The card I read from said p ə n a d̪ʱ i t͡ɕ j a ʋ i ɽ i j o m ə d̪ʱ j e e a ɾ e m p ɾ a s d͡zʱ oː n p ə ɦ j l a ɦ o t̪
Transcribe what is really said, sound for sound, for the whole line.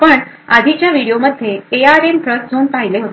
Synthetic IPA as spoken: p ə ɳ a d̪ʱ i t͡ɕ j a ʋ i ɽ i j o m ə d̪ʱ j e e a ɾ e m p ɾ ə s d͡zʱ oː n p a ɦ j l e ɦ o t̪